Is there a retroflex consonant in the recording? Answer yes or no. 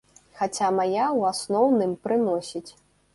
no